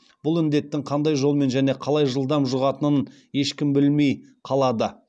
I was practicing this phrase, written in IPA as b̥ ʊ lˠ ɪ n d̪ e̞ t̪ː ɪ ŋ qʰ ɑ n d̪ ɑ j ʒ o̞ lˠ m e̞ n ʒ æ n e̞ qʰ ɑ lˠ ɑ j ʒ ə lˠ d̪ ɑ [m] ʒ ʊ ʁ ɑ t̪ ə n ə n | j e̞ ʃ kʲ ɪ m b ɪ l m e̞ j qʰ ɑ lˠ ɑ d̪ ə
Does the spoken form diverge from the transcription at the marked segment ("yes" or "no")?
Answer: no